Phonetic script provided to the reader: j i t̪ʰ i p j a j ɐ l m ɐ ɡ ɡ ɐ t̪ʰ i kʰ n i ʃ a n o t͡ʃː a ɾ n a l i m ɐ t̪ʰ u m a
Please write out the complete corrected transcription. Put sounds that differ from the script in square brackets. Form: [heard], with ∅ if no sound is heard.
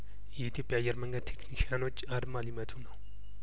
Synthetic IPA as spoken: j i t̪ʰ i p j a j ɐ [ɾ] m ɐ [ŋ] ɡ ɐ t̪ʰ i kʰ n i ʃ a n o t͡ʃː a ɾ [m] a l i m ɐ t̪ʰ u [n] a